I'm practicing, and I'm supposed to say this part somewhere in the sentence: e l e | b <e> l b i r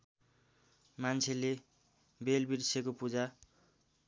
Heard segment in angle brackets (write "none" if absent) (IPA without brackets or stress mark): e